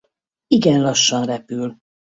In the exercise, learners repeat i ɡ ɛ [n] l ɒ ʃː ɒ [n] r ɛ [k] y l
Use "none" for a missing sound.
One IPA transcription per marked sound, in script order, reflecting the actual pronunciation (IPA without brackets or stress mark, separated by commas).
n, n, p